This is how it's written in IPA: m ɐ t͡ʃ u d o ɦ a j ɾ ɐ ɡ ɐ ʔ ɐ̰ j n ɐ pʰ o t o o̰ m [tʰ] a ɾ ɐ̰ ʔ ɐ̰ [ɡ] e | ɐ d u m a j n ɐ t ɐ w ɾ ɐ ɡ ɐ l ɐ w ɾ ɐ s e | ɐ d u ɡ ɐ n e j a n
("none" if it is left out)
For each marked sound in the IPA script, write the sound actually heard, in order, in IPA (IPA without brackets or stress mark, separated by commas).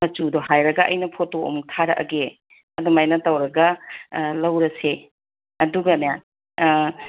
tʰ, ɡ